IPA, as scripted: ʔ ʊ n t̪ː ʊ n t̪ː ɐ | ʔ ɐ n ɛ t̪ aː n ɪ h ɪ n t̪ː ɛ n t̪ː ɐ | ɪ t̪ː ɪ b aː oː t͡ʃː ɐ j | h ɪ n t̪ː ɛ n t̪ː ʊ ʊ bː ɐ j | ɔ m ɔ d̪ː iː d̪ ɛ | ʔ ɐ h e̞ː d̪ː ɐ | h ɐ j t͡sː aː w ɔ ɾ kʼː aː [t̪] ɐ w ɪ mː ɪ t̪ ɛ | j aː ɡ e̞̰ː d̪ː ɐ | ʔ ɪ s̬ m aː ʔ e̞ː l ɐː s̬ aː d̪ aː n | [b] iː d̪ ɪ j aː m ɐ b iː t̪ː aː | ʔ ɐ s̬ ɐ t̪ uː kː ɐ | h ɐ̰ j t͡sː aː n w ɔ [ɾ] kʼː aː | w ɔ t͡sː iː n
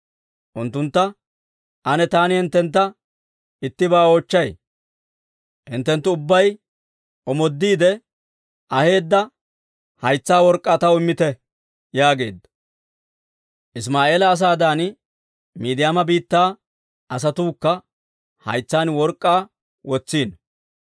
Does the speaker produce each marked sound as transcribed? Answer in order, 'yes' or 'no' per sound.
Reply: yes, no, yes

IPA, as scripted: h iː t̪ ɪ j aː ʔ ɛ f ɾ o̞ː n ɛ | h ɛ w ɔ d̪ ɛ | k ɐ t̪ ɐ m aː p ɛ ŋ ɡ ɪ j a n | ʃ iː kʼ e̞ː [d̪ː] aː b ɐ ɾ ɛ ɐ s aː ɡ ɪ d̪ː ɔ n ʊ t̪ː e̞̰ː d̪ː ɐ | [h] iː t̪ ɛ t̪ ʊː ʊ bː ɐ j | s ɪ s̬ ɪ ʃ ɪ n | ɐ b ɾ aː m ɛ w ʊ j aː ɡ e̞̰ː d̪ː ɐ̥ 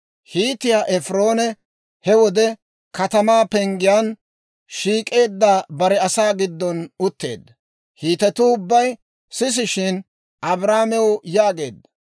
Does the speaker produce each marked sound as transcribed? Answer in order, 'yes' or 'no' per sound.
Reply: yes, yes

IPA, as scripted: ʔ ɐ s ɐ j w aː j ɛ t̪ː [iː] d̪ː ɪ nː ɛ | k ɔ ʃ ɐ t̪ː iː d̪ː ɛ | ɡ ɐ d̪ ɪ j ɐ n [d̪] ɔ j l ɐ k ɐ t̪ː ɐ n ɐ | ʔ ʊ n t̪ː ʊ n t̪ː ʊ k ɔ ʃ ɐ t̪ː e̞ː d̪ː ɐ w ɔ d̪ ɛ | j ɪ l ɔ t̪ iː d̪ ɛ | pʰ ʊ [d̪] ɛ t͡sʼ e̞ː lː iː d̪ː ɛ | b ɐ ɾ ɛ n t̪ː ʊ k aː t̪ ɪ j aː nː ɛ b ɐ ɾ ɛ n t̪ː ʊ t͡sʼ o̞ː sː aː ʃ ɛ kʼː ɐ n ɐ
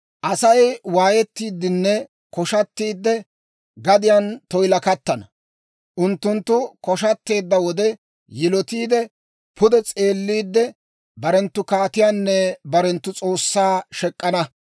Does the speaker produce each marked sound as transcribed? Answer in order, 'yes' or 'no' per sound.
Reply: yes, no, yes

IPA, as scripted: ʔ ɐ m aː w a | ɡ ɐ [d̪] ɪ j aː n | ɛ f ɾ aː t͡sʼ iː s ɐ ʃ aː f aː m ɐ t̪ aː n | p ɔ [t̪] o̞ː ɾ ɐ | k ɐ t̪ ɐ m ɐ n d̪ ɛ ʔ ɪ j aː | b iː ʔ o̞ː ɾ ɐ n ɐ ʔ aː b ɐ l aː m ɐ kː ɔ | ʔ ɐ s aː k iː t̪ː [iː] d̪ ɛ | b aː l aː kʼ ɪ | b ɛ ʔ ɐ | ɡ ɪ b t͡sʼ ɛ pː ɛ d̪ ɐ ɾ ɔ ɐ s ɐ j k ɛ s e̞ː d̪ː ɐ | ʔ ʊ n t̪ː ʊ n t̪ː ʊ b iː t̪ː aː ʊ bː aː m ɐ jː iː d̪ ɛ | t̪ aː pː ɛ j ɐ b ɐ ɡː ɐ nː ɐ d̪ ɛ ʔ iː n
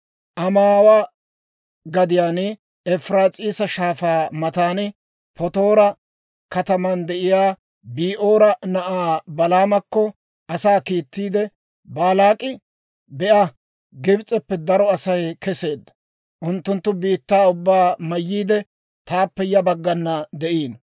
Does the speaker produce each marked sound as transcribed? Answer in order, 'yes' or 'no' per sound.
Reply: yes, yes, yes

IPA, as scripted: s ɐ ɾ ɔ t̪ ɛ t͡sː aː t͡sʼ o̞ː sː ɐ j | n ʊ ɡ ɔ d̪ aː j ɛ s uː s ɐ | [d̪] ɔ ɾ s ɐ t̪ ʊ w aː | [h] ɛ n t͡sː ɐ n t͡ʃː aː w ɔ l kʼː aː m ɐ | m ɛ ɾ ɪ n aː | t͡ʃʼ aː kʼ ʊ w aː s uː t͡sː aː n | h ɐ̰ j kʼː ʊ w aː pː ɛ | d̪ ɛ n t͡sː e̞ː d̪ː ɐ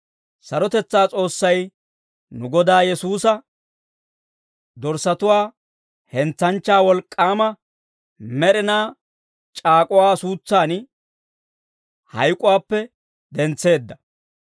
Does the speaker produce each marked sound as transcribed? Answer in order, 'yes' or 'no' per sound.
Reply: yes, yes

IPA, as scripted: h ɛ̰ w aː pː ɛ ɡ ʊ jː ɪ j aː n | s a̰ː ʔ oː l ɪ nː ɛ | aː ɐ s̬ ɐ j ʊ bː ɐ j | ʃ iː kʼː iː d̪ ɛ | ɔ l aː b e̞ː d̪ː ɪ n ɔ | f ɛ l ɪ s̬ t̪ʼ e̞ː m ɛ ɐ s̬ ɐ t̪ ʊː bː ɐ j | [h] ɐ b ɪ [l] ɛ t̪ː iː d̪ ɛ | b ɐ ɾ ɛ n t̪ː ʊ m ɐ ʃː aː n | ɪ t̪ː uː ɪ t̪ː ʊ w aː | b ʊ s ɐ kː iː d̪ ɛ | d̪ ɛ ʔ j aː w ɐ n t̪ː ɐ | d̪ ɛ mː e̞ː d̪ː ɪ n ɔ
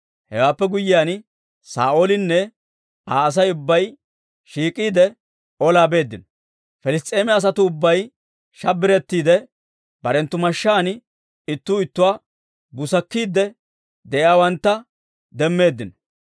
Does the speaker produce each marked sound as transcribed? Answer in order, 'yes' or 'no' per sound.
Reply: no, no

